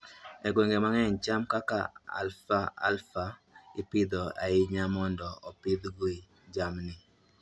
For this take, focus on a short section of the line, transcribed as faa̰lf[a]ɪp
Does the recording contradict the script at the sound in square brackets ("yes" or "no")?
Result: no